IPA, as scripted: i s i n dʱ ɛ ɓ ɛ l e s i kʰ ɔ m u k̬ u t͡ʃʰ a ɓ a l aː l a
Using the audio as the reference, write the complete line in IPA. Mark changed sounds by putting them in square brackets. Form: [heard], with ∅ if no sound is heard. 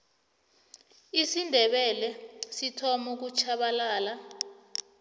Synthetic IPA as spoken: i s i n dʱ ɛ ɓ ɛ l [ɛ] s i [tʰ] ɔ m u k̬ u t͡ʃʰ a ɓ a l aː l a